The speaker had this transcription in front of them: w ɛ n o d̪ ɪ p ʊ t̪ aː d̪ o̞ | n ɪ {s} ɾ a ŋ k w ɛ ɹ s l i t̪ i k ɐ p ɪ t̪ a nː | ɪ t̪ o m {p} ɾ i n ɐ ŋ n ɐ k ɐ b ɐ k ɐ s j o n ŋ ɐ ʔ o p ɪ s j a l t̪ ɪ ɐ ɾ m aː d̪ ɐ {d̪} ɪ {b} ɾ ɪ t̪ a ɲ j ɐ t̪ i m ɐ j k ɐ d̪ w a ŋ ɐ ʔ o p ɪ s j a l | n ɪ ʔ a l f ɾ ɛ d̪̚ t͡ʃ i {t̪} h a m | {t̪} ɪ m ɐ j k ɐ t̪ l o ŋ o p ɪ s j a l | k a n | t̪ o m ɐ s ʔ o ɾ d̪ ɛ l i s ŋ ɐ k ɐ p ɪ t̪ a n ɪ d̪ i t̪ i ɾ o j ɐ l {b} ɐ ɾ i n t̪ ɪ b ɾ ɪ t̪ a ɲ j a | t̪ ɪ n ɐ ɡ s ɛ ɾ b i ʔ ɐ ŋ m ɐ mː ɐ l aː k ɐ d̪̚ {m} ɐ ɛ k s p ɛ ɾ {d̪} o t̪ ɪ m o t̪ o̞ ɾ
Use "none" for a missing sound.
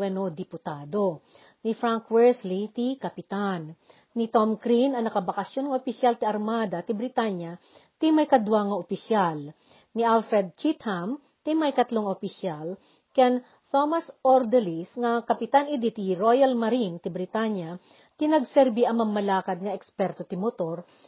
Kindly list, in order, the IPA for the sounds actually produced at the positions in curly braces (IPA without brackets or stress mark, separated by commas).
f, k, t̪, b, t̪, t̪, m, ŋ, t̪